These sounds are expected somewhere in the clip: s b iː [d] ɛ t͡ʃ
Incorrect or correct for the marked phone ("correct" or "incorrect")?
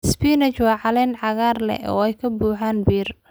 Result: incorrect